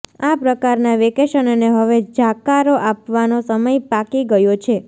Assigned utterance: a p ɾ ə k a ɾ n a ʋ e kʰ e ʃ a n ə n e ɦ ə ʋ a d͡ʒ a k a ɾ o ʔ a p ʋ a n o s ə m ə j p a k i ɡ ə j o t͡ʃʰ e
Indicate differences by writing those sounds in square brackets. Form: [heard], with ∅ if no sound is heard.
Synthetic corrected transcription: a p ɾ ə k a ɾ n a ʋ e [k] e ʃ [ə] n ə n e ɦ ə ʋ [e] d͡ʒ a k a ɾ o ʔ a p ʋ a n o s ə m ə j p a k i ɡ ə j o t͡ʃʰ e